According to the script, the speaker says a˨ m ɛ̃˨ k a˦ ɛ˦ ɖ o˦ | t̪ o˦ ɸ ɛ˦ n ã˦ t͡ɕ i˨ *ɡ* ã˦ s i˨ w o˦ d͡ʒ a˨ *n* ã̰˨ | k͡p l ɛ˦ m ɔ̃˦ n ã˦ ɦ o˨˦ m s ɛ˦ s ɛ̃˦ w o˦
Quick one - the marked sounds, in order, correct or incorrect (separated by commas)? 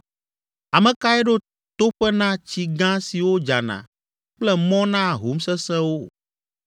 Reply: correct, correct